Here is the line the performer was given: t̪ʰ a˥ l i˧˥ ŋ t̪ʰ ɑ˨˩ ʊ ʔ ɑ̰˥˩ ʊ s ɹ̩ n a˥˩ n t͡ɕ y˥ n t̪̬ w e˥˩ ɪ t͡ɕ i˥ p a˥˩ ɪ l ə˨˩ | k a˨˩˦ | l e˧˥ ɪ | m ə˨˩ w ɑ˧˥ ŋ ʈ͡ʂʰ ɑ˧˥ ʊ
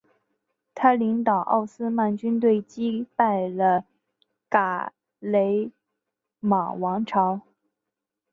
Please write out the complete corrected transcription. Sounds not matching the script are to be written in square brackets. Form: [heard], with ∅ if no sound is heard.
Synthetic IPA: t̪ʰ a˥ l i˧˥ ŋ [t̪] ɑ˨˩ ʊ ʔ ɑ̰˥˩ ʊ s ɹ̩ [m] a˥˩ n t͡ɕ y˥ n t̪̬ w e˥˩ ɪ t͡ɕ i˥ p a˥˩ ɪ l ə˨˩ | k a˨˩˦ | l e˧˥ ɪ | m [a˨˩] w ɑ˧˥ ŋ ʈ͡ʂʰ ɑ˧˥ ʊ